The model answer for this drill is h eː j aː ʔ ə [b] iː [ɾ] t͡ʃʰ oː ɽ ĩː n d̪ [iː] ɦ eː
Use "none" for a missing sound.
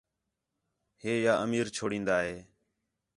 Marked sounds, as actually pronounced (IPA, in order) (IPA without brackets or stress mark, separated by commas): m, ɾ, aː